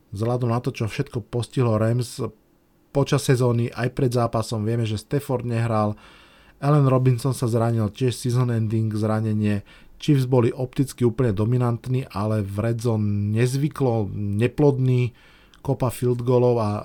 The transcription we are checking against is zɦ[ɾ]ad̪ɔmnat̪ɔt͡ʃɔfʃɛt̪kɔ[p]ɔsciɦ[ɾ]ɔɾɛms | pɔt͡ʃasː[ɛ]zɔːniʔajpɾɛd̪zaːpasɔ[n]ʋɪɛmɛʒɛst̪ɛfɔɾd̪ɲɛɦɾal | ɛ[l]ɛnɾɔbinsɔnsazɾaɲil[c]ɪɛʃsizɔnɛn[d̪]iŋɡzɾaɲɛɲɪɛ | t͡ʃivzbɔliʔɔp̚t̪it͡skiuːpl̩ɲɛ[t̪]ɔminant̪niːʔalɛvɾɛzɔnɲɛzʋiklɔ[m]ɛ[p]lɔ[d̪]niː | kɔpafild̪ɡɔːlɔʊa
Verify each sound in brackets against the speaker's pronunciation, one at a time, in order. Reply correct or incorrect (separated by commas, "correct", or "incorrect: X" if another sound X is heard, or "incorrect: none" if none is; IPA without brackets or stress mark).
incorrect: l, correct, incorrect: l, correct, incorrect: m, correct, correct, correct, incorrect: d̪, incorrect: ɲ, correct, correct